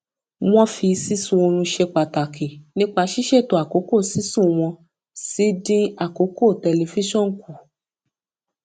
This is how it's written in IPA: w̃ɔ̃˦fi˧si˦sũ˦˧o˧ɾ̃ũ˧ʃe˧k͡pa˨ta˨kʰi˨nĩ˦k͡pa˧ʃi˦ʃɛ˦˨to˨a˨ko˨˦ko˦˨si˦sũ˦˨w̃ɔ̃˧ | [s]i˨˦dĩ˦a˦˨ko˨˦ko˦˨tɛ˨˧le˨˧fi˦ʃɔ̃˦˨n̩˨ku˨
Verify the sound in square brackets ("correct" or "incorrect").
correct